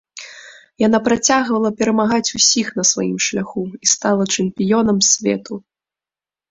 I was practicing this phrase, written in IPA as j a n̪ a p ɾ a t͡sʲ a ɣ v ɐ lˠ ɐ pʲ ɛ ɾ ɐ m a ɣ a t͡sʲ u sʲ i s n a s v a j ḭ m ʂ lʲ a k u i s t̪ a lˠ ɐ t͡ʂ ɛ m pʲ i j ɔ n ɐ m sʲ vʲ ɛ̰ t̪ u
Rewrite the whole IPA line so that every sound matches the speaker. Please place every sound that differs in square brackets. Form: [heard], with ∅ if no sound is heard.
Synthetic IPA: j a n̪ a p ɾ a t͡sʲ a ɣ v ɐ lˠ ɐ pʲ ɛ ɾ ɐ m a ɣ a t͡sʲ u sʲ i [x] n [ɐ] s v a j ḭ m ʂ lʲ a [x] u i s t̪ a lˠ ɐ t͡ʂ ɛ m pʲ i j ɔ n ɐ m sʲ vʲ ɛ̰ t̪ u

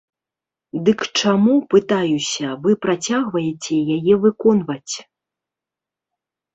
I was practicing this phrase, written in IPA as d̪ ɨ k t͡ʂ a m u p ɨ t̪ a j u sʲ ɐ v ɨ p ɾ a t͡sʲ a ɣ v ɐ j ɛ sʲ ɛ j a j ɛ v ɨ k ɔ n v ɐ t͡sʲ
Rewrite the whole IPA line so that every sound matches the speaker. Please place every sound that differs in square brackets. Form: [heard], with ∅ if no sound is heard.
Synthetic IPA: d̪ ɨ k t͡ʂ a m u p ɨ t̪ a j u sʲ ɐ v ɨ p ɾ a t͡sʲ a ɣ v ɐ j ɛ [t͡sʲ] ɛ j a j ɛ v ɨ k ɔ n v ɐ t͡sʲ

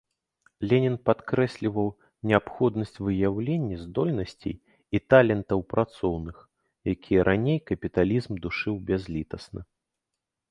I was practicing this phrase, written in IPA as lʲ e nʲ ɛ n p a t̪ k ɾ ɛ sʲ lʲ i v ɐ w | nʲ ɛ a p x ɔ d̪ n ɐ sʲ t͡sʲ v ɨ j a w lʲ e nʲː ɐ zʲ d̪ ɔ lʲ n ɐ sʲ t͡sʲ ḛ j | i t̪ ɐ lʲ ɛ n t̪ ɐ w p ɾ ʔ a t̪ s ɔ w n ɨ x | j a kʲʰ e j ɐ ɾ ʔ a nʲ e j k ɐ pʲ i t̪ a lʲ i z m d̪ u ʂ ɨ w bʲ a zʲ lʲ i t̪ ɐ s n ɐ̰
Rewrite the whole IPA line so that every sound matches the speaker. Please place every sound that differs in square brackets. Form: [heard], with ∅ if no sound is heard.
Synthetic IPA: lʲ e nʲ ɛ n p a t̪ k ɾ ɛ sʲ lʲ i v ɐ w | nʲ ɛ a p x ɔ d̪ n ɐ sʲ t͡sʲ v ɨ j a w lʲ e nʲː ɐ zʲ d̪ ɔ lʲ n ɐ sʲ t͡sʲ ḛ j | i t̪ [a] lʲ ɛ n t̪ ɐ w p ɾ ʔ a t̪ s ɔ w n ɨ x | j a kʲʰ [i] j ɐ ɾ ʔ a nʲ e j k ɐ pʲ i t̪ a lʲ i z m d̪ u ʂ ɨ w bʲ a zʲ lʲ i t̪ ɐ s n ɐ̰

